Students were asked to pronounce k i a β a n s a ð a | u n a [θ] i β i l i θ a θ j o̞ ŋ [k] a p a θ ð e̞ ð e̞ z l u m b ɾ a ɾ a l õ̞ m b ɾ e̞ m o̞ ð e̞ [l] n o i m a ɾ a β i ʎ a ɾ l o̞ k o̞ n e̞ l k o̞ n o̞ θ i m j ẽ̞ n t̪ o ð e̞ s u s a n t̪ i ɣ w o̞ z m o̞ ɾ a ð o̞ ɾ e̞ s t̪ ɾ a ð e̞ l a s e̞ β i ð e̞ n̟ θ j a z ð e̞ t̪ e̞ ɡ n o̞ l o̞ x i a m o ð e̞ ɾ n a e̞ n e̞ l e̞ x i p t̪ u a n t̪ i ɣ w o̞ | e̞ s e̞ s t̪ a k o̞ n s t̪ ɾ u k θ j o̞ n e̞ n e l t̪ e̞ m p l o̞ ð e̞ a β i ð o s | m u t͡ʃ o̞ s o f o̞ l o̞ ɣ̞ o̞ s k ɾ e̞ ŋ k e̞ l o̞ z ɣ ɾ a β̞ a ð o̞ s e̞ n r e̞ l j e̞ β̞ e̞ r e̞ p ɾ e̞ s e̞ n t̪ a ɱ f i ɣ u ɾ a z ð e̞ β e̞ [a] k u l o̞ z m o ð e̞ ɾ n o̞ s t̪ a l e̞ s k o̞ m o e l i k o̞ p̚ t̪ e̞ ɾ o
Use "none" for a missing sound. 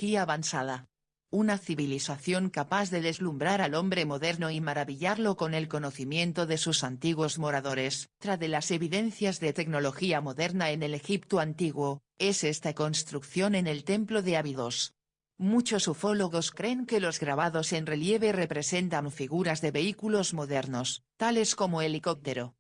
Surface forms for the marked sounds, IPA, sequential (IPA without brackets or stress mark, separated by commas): θ, k, ɾ, i